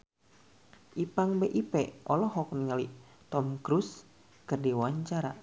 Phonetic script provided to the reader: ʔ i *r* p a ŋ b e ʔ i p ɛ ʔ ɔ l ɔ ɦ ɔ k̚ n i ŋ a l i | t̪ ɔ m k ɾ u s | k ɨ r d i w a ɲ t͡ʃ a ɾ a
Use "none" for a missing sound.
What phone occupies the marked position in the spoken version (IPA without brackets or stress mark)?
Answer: none